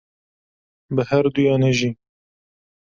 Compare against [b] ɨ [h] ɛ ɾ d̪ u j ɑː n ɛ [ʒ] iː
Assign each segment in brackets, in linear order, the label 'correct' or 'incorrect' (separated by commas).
correct, correct, correct